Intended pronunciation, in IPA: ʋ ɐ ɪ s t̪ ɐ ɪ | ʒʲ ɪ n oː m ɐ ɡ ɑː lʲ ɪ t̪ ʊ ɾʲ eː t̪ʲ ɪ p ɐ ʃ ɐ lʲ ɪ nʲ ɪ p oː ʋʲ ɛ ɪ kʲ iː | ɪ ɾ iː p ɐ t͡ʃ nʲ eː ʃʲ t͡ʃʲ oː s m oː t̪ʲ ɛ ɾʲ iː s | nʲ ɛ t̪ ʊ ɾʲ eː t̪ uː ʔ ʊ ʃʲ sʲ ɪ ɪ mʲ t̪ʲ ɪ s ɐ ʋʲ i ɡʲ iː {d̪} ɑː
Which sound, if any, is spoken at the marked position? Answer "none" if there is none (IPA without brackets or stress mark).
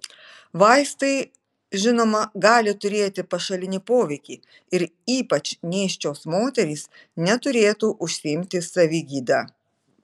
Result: d̪